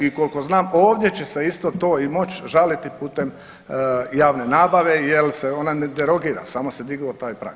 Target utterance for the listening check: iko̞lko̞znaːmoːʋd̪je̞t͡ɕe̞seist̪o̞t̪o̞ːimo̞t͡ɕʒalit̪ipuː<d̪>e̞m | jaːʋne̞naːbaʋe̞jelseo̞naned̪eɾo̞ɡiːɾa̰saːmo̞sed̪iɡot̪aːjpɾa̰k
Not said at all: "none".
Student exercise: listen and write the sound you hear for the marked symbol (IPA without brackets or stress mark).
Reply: t̪